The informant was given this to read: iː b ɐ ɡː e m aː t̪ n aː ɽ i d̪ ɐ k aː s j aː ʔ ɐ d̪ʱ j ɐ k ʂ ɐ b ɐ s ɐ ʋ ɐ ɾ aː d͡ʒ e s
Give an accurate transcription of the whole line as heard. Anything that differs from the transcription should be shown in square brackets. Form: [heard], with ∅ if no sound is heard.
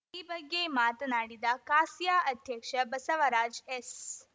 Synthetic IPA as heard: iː b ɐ ɡː e m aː t̪ n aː ɽ i d̪ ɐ k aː s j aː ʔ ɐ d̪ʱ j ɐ k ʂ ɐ b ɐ s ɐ ʋ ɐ ɾ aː d͡ʒ e s